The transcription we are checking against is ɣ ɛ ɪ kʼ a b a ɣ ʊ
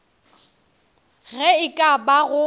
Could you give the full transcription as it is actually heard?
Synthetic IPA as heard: ɣ ɛ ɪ kʼ a b a ɣ ʊ